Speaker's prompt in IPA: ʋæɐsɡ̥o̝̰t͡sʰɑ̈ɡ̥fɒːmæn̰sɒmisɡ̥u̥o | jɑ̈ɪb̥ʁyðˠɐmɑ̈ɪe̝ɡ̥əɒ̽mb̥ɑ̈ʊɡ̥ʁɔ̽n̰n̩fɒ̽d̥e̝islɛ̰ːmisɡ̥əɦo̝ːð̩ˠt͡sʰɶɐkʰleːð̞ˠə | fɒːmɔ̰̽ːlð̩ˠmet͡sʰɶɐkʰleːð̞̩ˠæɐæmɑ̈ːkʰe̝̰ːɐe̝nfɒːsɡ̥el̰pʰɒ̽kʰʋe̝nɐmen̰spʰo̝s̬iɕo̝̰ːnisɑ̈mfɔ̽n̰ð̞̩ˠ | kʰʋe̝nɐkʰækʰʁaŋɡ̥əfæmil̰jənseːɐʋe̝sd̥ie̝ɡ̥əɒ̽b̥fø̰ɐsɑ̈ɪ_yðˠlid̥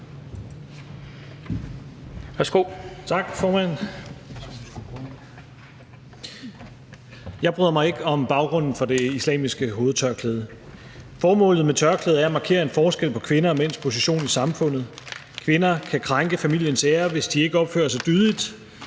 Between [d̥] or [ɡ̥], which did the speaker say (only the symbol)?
d̥